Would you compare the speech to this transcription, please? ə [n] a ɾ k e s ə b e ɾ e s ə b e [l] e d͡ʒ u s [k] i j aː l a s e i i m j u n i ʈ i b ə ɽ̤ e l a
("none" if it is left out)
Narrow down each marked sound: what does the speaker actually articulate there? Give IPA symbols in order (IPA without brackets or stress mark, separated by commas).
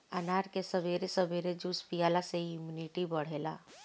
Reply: n, ɾ, p